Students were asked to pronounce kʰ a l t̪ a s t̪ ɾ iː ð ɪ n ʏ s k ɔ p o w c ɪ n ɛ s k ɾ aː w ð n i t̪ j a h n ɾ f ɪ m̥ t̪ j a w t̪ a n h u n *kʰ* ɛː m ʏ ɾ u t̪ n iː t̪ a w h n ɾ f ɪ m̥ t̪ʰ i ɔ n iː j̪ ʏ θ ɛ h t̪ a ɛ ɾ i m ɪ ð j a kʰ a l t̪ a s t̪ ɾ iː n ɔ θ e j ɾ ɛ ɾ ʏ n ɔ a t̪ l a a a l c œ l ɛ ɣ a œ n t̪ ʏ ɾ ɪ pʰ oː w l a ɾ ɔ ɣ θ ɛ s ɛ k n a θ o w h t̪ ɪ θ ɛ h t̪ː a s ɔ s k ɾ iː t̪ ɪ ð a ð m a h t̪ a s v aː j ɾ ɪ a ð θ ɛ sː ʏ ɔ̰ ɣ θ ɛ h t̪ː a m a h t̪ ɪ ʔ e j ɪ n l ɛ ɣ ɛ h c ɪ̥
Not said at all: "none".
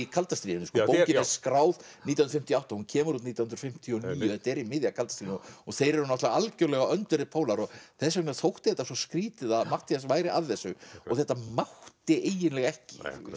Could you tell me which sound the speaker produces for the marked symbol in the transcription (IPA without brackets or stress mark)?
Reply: cʰ